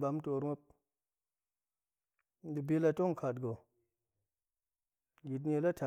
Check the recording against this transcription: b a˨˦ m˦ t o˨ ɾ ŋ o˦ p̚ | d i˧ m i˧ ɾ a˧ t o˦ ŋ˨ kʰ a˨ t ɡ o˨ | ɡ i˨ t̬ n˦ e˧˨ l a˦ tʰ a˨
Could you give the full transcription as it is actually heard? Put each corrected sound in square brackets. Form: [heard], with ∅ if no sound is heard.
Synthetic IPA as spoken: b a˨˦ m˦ t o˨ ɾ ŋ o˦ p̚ | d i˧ [b] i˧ [l] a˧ t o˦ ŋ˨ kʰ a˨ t ɡ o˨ | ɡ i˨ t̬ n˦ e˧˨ l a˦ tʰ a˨